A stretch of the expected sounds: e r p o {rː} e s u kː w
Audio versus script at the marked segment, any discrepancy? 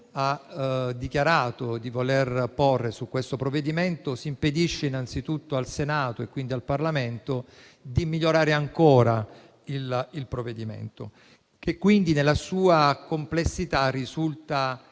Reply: no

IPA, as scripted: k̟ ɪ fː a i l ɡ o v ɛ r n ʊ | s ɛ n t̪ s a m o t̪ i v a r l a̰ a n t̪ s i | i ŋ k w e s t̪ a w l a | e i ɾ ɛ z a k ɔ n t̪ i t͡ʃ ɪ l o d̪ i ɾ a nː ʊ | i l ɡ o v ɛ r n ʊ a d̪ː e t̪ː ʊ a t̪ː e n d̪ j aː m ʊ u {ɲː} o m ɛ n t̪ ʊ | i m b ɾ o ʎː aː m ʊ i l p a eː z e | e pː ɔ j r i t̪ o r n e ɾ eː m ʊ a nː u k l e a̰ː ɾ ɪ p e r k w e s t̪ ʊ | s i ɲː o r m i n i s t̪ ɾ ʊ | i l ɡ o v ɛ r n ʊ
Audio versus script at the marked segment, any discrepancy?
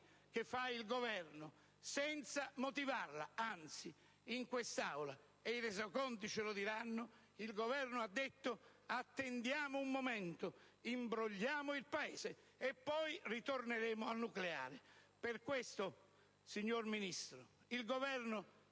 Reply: yes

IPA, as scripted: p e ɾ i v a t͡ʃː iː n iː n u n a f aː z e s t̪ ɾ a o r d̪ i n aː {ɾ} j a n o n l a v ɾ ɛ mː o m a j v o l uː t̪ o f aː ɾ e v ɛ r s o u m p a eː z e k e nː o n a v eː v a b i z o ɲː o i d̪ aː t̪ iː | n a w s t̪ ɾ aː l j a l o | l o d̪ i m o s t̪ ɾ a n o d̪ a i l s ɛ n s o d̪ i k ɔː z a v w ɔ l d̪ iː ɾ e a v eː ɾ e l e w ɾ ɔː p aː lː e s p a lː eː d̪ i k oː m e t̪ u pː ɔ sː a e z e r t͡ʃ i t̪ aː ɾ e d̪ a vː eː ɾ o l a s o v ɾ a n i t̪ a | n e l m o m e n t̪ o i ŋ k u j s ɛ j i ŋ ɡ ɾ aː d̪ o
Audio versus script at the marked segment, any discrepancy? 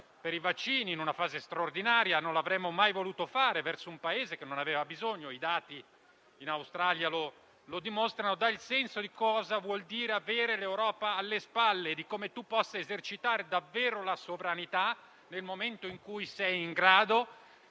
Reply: no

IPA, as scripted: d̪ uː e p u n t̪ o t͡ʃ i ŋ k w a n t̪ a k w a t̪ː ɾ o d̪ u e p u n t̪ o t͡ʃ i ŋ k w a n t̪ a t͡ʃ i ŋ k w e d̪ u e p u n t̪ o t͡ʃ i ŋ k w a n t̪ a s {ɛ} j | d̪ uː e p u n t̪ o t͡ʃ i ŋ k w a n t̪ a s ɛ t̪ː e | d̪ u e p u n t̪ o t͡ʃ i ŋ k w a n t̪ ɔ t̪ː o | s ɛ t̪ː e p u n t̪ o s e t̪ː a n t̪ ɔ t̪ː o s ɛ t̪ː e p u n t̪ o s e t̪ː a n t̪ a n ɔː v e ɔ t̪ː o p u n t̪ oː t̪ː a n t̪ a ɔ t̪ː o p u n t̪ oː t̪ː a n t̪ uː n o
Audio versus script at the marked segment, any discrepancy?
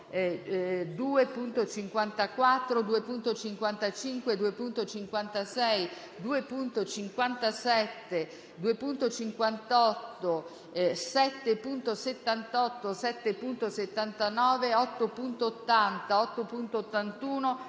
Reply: no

